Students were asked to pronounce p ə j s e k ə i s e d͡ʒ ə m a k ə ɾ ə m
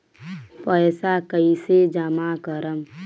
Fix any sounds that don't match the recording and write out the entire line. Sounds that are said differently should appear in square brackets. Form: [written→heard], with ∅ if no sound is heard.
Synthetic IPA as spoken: p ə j s [e→a] k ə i s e d͡ʒ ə m a k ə ɾ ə m